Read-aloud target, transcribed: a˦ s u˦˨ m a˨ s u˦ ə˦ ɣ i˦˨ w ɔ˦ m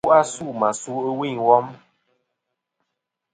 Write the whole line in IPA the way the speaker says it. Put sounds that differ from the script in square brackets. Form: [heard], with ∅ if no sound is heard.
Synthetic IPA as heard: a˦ s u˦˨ m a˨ s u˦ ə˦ [w] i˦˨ w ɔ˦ m